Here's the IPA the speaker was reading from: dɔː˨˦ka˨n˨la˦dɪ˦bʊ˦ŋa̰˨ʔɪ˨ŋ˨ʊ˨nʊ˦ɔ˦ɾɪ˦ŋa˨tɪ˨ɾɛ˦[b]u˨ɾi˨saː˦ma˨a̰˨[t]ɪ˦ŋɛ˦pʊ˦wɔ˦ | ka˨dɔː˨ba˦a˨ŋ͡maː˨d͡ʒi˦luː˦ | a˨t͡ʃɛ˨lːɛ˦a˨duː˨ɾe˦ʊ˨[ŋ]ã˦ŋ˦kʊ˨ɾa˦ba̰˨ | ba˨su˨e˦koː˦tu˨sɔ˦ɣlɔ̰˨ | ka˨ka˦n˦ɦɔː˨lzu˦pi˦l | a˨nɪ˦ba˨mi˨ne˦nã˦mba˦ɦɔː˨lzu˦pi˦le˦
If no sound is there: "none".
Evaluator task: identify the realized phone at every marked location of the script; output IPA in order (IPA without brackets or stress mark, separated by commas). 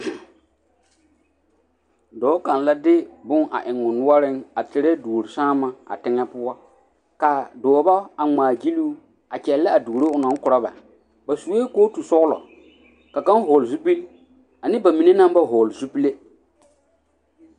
d, t, n